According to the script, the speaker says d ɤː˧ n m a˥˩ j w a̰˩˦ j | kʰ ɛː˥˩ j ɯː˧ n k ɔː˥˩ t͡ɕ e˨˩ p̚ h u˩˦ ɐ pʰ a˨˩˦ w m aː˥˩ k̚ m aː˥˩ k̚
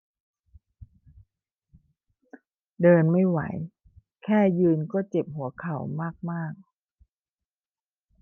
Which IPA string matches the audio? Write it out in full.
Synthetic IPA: d ɤː˧ n m a˥˩ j w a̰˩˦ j | kʰ ɛː˥˩ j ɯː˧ n k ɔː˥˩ t͡ɕ e˨˩ p̚ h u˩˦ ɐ kʰ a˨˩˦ w m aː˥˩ k̚ m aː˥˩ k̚

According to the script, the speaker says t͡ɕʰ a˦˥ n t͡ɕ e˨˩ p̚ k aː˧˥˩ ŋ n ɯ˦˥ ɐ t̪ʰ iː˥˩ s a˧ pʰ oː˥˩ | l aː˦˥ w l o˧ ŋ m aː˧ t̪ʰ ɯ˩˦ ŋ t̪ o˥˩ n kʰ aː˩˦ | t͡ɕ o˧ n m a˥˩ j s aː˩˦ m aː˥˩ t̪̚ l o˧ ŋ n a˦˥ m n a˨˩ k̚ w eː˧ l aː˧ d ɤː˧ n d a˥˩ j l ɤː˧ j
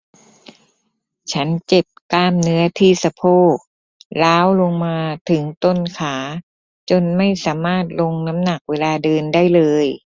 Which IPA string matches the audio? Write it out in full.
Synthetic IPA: t͡ɕʰ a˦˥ n t͡ɕ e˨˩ p̚ k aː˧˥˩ m n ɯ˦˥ ɐ t̪ʰ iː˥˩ s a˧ pʰ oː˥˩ | l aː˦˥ w l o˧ ŋ m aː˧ t̪ʰ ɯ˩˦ ŋ t̪ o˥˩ n kʰ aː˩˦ | t͡ɕ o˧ n m a˥˩ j s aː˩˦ m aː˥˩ t̪̚ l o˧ ŋ n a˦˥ m n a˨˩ k̚ w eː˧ l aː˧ d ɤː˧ n d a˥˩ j l ɤː˧ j

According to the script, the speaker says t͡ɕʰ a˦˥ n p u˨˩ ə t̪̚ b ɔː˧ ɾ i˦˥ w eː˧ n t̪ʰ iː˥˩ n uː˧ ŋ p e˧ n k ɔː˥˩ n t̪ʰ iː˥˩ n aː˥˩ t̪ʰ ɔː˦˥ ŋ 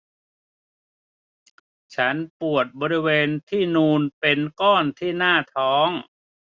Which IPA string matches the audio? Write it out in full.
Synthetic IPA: t͡ɕʰ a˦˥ n p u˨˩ ə t̪̚ b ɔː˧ ɾ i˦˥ w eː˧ n t̪ʰ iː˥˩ n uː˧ n p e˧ n k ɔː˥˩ n t̪ʰ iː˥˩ n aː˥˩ t̪ʰ ɔː˦˥ ŋ

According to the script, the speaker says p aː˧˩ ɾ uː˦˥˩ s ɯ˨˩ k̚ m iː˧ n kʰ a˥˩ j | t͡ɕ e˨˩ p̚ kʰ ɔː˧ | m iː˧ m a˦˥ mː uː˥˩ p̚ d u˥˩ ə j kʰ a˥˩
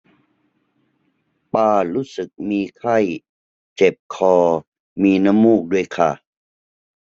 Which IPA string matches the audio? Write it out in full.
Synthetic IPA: p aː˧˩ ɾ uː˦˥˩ s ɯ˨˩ k̚ m iː˧ kʰ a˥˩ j | t͡ɕ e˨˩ p̚ kʰ ɔː˧ | m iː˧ n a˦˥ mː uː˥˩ k̚ d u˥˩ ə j kʰ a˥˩

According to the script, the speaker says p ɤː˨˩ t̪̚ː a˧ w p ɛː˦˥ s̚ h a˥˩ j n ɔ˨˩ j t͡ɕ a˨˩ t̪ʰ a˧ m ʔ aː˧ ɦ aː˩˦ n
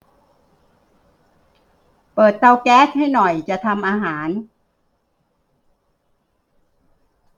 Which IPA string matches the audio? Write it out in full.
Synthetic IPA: p ɤː˨˩ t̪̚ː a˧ w k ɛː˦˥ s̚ h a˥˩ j n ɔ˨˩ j t͡ɕ a˨˩ t̪ʰ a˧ m ʔ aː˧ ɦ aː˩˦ n

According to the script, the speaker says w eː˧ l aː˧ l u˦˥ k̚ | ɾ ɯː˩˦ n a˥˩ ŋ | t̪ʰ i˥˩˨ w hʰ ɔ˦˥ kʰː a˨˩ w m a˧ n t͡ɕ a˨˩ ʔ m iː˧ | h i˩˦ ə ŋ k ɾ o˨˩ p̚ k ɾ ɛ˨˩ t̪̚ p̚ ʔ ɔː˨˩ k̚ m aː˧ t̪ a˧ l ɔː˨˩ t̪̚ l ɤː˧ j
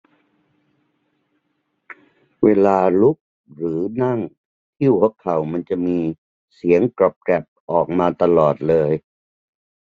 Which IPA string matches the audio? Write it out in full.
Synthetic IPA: w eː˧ l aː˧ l u˦˥ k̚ | ɾ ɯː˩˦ n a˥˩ ŋ | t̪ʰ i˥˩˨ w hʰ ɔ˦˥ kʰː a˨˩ w m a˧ n t͡ɕ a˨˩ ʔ m iː˧ | s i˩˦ ə ŋ k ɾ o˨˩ p̚ k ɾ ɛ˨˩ p̚ ʔ ɔː˨˩ k̚ m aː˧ t̪ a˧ l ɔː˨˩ t̪̚ l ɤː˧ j

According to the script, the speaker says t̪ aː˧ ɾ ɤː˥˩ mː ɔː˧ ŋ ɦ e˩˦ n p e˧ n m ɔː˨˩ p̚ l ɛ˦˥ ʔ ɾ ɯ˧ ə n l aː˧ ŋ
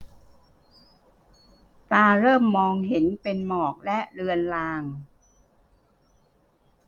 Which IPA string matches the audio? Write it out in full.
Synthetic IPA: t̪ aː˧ ɾ ɤː˥˩ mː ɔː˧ ŋ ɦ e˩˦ n p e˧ n m ɔː˨˩ k̚ l ɛ˦˥ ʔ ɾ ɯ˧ ə n l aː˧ ŋ

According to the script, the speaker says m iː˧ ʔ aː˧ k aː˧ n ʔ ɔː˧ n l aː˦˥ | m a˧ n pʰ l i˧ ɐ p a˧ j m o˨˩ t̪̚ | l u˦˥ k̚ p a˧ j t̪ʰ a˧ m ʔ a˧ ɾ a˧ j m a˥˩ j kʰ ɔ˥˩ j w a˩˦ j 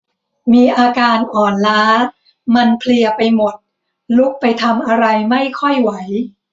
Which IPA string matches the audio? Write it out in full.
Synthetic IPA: m iː˧ ʔ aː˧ k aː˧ n ʔ ɔː˨˩ n l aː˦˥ | m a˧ n pʰ l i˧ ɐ p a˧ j m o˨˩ t̪̚ | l u˦˥ k̚ p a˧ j t̪ʰ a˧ m ʔ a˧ ɾ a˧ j m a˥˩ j kʰ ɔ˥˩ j w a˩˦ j

